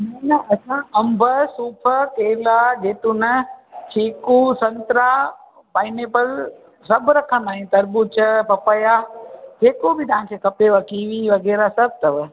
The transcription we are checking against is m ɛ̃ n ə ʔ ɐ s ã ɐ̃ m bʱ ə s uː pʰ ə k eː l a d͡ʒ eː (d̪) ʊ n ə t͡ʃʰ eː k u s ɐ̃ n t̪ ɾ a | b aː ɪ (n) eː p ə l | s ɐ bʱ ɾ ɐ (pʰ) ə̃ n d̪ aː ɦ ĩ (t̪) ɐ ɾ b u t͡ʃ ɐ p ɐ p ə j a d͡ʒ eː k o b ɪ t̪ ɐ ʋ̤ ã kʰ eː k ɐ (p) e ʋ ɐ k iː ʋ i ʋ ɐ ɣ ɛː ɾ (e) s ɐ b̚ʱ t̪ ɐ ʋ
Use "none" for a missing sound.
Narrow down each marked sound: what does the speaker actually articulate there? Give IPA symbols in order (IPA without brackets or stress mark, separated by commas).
t̪, n, kʰ, t̪, p, a